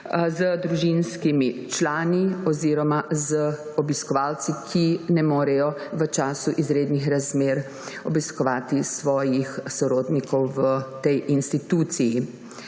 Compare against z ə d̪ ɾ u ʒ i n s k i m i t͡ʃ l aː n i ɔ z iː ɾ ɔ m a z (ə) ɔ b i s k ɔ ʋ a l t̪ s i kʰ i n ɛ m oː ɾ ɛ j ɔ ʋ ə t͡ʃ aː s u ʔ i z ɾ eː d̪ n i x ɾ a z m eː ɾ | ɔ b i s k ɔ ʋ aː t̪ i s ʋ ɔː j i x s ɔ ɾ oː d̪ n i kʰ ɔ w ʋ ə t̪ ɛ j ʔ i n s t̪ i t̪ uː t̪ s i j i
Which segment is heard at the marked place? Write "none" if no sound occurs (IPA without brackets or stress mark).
ə